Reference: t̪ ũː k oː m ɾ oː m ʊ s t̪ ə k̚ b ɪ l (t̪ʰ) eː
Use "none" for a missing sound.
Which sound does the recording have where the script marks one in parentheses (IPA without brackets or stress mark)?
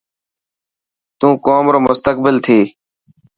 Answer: t̪ʰ